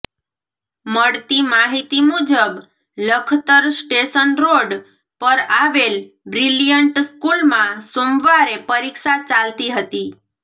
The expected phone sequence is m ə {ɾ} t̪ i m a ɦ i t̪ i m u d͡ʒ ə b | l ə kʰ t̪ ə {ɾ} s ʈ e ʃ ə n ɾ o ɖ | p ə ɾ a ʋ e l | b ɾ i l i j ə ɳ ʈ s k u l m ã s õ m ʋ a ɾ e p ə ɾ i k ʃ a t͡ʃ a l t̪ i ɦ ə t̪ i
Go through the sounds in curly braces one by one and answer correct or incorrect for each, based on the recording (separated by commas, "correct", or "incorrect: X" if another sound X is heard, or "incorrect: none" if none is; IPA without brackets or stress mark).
incorrect: ɽ, correct